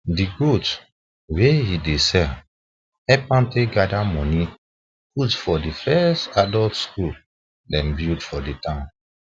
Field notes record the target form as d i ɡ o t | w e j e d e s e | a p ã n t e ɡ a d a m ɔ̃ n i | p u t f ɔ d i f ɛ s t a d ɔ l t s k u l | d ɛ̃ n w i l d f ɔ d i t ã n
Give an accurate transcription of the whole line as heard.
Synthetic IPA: d i ɡ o t | w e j i d e s ɛ | ɛ p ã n t e ɡ a d a m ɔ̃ n i | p u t f ɔ d i f ɛ s t a d ɔ l t s k u l | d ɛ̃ n b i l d f ɔ d i t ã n

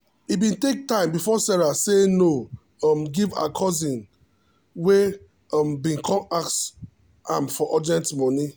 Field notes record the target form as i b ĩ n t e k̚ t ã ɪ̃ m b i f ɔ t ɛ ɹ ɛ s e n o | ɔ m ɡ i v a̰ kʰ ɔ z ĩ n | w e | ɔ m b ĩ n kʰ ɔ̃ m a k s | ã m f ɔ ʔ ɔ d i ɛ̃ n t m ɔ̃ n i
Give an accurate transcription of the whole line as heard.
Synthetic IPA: i b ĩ n t e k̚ t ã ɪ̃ m b i f ɔ s ɛ ɹ a s e n o | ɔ m ɡ i v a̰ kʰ ɔ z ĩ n | w e | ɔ m b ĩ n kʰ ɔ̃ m a k s | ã m f ɔ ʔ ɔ d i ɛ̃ n t m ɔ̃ n i

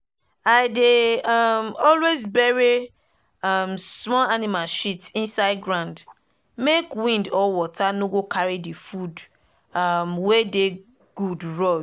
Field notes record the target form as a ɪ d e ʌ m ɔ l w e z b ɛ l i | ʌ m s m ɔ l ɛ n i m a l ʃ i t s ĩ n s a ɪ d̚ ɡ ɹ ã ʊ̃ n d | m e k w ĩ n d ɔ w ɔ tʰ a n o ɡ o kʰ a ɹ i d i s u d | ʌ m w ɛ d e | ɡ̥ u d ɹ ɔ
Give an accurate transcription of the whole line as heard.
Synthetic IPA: a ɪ d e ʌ m ɔ l w e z b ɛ ɹ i | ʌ m s m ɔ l a n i m a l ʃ i t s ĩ n s a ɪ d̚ ɡ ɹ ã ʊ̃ n d | m e k w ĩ n d ɔ w ɔ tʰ a n o ɡ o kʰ a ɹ i d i f u d | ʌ m w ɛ d e | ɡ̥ u d ɹ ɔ

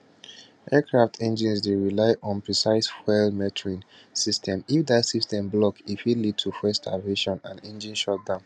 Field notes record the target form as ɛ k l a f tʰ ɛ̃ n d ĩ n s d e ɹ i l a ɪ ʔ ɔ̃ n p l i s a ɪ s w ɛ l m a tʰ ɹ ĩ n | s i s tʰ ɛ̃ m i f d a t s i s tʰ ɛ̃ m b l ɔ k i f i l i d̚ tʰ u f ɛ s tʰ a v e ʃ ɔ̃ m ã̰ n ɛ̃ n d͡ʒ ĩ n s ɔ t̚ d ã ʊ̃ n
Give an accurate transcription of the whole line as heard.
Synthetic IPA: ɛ k ɹ a f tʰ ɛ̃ n d͡ʒ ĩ n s d e ɹ i l a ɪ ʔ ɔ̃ n p ɹ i s a ɪ s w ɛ l m ɛ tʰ ɹ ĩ n | s i s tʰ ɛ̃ m i f d a t s i s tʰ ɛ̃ m b l ɔ k i f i l i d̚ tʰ u f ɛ s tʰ a v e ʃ ɔ̃ n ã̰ n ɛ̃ n d͡ʒ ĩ n ʃ ɔ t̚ d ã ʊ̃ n

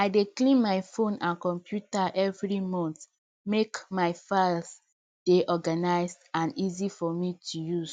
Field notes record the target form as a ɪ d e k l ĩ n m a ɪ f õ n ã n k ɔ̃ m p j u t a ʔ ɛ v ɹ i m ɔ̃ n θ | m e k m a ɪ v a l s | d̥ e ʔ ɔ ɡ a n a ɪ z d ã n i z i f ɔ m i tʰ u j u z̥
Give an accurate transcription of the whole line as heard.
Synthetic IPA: a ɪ d e k l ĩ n m a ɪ f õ n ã n k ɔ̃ m p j u t a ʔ ɛ v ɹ i m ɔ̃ n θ | m e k m a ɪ f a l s | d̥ e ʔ ɔ ɡ a n a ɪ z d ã n i z i f ɔ m i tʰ u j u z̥

